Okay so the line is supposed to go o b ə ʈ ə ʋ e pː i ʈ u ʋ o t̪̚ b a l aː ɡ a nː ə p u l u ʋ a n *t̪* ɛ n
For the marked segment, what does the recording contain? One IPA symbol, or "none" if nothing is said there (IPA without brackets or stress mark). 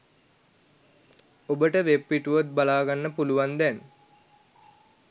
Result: d̪